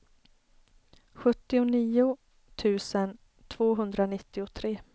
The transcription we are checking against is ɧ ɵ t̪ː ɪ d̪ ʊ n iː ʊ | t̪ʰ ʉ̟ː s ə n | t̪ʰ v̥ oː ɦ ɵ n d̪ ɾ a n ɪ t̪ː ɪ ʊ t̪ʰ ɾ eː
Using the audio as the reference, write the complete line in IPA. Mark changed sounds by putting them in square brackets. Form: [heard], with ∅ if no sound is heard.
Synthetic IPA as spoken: ɧ ɵ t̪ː ɪ [∅] ʊ n iː ʊ | t̪ʰ ʉ̟ː s ə n | t̪ʰ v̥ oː ɦ ɵ n d̪ ɾ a n ɪ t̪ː ɪ ʊ t̪ʰ ɾ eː